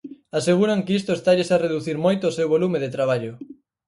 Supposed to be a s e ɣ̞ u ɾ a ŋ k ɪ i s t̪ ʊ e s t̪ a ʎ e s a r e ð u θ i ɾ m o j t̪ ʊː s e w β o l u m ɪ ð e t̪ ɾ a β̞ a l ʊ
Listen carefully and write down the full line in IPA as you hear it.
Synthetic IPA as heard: a s e ɣ̞ u ɾ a ŋ k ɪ i s t̪ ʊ e s t̪ a ʎ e s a r e ð u θ i ɾ m o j t̪ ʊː s e w β o l u m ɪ ð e t̪ ɾ a β̞ a ʎ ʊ